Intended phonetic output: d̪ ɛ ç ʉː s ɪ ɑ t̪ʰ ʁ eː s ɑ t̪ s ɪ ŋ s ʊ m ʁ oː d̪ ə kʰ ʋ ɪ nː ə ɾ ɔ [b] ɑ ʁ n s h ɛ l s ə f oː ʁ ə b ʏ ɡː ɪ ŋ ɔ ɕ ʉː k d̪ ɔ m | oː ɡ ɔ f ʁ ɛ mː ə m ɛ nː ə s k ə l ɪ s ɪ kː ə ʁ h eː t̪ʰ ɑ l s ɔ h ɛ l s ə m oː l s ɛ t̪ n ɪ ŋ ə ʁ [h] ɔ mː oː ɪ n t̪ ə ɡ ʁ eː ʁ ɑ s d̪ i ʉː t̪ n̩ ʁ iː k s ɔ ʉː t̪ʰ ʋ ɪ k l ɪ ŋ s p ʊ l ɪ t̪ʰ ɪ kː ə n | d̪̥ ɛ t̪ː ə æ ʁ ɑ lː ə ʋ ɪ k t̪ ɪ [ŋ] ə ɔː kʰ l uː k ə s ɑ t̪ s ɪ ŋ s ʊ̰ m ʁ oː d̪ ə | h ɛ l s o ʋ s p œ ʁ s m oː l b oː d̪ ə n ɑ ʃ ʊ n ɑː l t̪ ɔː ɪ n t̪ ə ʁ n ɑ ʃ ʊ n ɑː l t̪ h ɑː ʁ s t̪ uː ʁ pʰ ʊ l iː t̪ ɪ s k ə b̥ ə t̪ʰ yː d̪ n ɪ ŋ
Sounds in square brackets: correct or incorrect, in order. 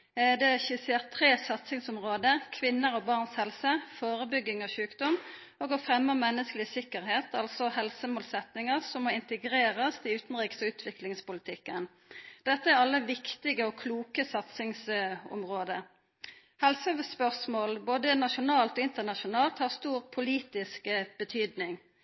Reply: correct, incorrect: s, incorrect: ɡ

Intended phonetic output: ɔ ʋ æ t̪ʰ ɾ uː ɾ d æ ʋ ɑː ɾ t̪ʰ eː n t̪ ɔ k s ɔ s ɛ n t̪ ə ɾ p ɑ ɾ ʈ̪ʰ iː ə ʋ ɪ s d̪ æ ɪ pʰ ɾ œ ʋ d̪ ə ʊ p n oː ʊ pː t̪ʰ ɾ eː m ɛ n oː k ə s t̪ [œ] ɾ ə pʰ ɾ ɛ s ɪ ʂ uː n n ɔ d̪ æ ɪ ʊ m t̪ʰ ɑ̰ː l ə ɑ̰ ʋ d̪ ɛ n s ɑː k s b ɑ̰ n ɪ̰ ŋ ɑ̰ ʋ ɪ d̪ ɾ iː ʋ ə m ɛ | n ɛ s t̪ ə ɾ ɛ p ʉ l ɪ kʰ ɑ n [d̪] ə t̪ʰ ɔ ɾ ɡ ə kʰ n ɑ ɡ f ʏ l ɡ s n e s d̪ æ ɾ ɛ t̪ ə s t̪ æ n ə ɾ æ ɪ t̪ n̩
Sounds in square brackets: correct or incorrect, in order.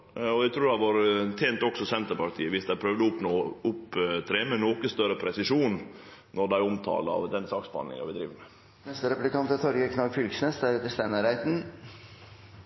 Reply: correct, incorrect: t̪

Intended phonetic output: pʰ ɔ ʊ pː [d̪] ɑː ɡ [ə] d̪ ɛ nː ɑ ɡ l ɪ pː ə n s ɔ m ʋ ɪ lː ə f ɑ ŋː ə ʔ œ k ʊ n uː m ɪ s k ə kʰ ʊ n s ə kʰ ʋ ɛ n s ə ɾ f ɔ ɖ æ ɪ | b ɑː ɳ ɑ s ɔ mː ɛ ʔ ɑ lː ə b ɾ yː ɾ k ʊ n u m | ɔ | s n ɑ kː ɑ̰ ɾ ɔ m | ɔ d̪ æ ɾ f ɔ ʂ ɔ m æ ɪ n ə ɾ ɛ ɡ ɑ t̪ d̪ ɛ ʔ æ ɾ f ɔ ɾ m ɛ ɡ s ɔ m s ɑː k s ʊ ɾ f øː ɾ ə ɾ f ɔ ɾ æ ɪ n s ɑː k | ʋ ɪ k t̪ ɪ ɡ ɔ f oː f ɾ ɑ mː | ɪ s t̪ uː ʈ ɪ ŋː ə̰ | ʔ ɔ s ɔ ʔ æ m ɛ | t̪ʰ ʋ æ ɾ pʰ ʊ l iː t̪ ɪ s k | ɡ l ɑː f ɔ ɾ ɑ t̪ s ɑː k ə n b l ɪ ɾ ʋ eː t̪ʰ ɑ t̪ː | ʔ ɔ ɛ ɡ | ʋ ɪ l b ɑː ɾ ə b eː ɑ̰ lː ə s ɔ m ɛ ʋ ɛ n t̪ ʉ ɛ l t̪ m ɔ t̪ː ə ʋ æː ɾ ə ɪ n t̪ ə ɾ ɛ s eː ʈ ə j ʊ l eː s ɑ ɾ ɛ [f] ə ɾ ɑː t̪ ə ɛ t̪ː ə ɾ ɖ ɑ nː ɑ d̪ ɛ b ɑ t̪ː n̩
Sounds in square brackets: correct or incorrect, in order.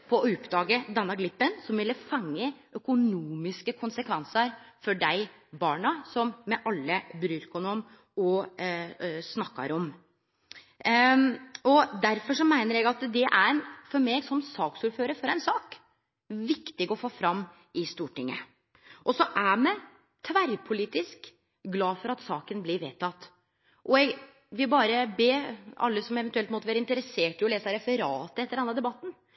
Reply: correct, correct, correct

